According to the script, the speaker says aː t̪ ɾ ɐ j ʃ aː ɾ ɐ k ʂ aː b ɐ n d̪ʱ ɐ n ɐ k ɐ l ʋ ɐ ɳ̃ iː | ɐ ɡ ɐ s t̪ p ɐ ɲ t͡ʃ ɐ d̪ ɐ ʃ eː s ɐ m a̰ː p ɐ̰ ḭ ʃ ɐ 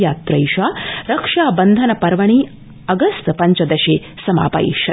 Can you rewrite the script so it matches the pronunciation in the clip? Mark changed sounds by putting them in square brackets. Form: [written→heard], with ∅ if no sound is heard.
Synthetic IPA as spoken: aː t̪ ɾ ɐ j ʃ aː ɾ ɐ k ʂ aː b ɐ n d̪ʱ ɐ n ɐ [k→p] ɐ [l→ɾ] ʋ ɐ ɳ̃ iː | ɐ ɡ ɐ s t̪ p ɐ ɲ t͡ʃ ɐ d̪ ɐ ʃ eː s ɐ m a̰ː p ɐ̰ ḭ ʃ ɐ